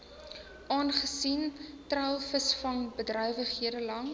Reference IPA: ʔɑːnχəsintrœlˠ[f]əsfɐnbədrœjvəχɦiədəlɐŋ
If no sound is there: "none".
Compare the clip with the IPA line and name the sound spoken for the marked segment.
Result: f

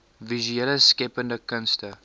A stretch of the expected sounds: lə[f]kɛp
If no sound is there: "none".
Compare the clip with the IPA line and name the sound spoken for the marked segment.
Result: s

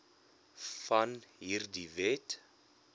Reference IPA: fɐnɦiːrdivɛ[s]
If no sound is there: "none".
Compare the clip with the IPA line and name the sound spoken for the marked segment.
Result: t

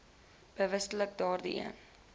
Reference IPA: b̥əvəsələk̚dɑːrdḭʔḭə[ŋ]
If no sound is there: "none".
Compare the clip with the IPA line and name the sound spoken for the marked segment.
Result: n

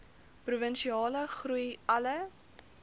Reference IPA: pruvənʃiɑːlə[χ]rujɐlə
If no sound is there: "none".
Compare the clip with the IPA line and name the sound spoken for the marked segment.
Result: χ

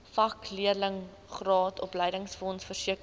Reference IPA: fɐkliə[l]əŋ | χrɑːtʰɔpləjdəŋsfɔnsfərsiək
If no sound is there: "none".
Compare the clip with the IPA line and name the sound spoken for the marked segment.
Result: l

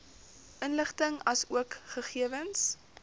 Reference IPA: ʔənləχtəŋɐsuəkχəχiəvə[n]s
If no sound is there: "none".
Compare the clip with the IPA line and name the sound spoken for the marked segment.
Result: n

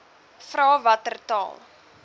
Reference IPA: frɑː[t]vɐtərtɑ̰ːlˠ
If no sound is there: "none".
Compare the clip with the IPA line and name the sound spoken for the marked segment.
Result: none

